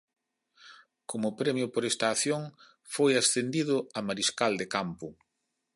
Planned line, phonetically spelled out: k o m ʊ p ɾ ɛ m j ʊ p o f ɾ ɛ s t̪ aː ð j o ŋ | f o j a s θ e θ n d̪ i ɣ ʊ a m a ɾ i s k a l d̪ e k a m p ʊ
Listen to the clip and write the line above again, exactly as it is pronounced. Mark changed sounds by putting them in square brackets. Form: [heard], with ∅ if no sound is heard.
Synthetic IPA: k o m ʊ p ɾ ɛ m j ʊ p o [∅] ɾ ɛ s t̪ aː [θ] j o ŋ | f o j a s θ e [∅] n d̪ i [ð] ʊ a m a ɾ i s k a l d̪ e k a m p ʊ